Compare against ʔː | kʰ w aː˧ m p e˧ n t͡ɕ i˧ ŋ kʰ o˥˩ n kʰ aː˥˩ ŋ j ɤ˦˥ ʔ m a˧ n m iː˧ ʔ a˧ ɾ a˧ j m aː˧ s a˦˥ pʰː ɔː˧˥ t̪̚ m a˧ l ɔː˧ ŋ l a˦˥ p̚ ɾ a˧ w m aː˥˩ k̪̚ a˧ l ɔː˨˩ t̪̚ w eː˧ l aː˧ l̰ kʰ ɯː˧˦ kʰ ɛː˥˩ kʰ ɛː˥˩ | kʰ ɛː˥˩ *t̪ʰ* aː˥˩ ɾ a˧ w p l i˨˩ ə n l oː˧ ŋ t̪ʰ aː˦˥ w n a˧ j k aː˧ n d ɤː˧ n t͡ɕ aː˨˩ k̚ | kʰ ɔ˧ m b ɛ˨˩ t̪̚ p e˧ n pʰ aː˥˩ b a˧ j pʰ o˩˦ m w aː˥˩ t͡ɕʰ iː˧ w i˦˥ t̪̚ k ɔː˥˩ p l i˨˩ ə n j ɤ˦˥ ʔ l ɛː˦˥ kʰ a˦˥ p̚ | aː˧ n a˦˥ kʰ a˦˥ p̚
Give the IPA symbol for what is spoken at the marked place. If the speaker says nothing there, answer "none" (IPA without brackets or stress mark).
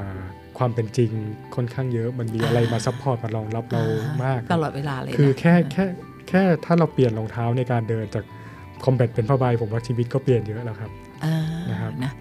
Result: t̪ʰ